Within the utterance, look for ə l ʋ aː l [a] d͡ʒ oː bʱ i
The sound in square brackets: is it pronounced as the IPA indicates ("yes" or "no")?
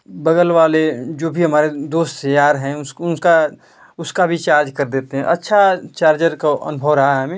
no